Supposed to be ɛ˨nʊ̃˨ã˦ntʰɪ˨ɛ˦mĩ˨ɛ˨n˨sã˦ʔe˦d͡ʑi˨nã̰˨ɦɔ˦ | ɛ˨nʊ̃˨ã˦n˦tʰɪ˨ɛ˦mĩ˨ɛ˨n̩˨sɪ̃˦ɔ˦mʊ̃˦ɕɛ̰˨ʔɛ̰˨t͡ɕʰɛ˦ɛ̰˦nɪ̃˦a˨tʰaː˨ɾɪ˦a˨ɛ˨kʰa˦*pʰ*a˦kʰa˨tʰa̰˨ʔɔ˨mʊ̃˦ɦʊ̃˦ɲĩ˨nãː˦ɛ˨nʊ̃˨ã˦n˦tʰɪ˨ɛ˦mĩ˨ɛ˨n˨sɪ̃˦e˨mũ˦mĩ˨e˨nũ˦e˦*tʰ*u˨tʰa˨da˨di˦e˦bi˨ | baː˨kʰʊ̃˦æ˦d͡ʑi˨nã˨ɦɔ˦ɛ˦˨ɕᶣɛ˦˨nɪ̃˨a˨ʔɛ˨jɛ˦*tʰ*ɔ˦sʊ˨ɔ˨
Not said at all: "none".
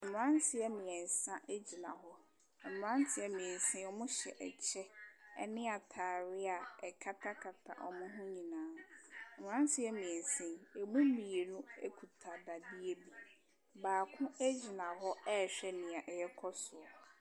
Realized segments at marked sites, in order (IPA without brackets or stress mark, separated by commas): tʰ, kʰ, kʰ